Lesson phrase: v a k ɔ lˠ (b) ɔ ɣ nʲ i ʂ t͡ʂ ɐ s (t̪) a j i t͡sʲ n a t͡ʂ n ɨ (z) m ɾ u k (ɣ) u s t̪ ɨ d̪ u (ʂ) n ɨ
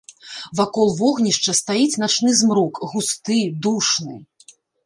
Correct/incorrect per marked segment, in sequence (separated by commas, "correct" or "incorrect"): incorrect, correct, correct, correct, correct